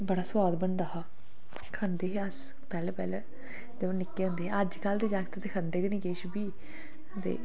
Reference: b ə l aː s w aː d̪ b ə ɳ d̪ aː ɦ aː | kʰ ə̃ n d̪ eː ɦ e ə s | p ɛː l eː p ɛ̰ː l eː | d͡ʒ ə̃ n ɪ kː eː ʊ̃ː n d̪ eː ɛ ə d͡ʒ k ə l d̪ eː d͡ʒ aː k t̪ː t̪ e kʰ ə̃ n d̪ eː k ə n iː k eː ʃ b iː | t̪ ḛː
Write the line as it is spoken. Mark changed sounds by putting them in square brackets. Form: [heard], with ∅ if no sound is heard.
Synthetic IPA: b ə [ɽ] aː s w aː d̪ b ə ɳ d̪ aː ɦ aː | kʰ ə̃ n d̪ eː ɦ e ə s | p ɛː l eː p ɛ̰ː l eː | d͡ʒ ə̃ n ɪ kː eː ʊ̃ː n d̪ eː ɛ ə d͡ʒ k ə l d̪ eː d͡ʒ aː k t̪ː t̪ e kʰ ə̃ n d̪ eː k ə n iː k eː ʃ b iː | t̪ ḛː

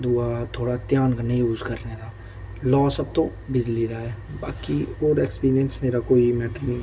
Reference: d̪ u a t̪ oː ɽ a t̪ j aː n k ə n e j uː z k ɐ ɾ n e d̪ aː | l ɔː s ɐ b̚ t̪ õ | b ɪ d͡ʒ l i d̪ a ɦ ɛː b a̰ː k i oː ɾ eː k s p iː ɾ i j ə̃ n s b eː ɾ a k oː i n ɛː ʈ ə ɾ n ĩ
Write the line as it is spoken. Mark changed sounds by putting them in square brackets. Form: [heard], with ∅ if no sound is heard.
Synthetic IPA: d̪ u a [t̪ʰ] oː ɽ a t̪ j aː n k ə n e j uː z k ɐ ɾ n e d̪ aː | l ɔː s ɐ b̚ t̪ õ | b ɪ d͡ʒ l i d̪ a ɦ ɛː b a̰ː k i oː ɾ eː k s p iː ɾ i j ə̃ n s [m] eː ɾ a k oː i [m] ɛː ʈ ə ɾ n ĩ

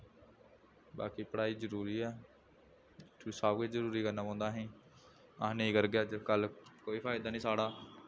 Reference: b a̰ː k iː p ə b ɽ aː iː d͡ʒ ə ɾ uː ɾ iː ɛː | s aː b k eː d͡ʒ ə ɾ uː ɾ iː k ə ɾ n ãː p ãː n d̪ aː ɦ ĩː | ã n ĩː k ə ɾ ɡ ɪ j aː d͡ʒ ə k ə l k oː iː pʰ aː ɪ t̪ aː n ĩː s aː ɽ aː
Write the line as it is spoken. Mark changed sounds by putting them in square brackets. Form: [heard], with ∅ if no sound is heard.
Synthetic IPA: b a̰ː k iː p ə [∅] ɽ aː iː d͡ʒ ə ɾ uː ɾ iː ɛː | s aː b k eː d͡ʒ ə ɾ uː ɾ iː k ə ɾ n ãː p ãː n d̪ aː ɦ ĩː | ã n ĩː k ə ɾ ɡ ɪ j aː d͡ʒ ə k ə l k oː iː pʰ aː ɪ [d̪] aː n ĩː s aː ɽ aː

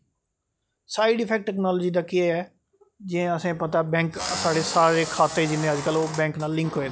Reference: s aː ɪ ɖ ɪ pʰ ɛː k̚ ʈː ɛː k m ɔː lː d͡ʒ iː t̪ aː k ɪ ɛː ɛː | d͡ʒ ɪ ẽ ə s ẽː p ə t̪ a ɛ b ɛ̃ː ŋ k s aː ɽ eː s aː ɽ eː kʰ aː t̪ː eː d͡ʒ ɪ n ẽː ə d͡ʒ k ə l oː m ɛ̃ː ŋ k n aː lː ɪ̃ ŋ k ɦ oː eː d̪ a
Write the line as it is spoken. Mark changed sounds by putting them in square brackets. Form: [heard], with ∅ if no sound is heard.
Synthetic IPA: s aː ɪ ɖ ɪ pʰ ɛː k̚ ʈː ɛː k [n] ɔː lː d͡ʒ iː [d̪] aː k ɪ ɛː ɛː | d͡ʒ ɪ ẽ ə s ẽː p ə t̪ a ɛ b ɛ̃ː ŋ k s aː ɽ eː s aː [ɾ] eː kʰ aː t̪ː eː d͡ʒ ɪ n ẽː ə d͡ʒ k ə l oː [b] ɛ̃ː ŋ k n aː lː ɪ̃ ŋ k ɦ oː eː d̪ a

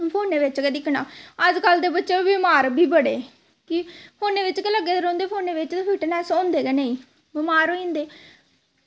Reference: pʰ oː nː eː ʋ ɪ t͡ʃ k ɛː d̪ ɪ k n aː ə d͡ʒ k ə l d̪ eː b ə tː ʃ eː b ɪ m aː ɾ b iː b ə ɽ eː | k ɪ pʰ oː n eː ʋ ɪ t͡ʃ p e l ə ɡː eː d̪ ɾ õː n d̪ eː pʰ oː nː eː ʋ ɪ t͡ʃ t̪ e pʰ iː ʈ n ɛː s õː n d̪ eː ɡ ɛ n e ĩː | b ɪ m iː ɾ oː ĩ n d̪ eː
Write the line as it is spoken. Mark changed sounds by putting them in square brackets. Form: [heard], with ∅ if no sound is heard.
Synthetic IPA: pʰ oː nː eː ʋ ɪ t͡ʃ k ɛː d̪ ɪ k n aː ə d͡ʒ k ə l d̪ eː b ə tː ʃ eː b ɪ m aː ɾ b iː b ə ɽ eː | k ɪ pʰ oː n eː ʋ ɪ t͡ʃ [k] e l ə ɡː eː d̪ ɾ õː n d̪ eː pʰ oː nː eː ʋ ɪ t͡ʃ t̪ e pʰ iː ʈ n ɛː s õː n d̪ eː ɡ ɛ n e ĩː | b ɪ m [aː] ɾ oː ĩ n d̪ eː

